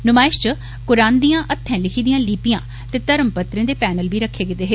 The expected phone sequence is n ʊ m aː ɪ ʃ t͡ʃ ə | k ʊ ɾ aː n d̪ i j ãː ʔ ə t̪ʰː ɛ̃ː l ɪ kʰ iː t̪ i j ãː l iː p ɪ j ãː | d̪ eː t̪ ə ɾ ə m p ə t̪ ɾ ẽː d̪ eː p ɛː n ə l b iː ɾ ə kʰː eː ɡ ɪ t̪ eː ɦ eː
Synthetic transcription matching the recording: n ʊ m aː ɪ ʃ t͡ʃ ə | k ʊ ɾ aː n d̪ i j ãː ʔ ə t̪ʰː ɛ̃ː l ɪ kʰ iː d̪ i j ãː l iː p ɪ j ãː | t̪ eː t̪ ə ɾ ə m p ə t̪ ɾ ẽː d̪ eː p ɛː n ə l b iː ɾ ə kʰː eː ɡ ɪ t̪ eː ɦ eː